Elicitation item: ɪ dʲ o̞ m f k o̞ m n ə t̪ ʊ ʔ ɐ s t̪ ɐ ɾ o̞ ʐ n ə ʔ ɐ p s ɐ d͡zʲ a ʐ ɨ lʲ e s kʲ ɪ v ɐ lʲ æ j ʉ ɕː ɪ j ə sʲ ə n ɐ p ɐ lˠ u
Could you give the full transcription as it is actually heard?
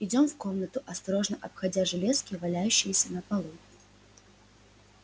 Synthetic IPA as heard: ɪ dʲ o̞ m f k o̞ m n ə t̪ ʊ ʔ ɐ s t̪ ɐ ɾ o̞ ʐ n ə ʔ ɐ p x ɐ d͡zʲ a ʐ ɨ lʲ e s kʲ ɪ v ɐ lʲ æ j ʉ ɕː ɪ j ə sʲ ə n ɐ p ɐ lˠ u